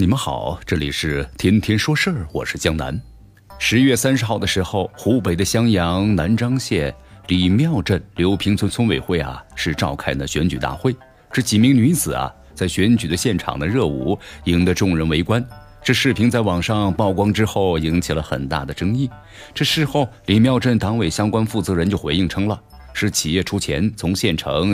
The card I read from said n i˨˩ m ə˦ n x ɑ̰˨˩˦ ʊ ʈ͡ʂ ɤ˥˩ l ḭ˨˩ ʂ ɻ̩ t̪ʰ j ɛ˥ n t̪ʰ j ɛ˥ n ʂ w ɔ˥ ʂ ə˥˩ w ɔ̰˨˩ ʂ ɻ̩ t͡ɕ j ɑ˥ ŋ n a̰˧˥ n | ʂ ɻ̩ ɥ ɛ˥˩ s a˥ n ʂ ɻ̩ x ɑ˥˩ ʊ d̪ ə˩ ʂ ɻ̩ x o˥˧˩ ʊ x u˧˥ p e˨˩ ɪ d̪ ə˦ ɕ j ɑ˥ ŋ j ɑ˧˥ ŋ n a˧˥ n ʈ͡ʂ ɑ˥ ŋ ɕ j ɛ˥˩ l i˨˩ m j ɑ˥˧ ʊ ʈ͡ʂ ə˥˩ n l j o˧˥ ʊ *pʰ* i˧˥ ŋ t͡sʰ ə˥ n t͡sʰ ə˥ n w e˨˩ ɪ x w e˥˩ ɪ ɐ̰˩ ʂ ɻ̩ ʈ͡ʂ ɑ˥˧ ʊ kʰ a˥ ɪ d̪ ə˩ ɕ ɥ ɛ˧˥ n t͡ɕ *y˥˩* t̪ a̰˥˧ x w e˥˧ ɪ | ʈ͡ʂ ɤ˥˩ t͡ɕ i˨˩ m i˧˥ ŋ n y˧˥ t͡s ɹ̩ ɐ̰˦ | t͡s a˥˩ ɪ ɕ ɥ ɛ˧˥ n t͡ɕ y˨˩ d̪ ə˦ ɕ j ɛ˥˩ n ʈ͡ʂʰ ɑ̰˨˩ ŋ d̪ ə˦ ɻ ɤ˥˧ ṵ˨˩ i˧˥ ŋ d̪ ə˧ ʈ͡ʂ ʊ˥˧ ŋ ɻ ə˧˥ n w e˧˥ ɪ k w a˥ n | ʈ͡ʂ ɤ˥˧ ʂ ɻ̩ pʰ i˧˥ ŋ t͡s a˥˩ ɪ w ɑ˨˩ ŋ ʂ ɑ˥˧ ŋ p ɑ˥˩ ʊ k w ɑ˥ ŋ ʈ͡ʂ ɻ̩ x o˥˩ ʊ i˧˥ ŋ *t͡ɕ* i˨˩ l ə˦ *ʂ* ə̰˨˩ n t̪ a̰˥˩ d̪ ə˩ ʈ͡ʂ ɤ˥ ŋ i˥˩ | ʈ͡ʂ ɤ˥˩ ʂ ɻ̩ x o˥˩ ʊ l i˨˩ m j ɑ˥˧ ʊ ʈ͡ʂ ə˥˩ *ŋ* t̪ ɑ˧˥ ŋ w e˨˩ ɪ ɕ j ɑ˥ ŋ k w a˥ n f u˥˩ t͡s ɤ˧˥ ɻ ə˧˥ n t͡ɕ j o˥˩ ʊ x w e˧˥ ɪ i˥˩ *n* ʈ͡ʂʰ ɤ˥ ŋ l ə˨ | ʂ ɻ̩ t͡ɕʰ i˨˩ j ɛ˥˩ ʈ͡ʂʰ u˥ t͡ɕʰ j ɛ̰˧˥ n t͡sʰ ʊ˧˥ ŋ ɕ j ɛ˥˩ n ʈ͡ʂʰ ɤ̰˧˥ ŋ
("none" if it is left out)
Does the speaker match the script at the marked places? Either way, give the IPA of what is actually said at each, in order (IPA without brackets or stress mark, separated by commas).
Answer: pʰ, y˨˩, t͡ɕʰ, x, n, ŋ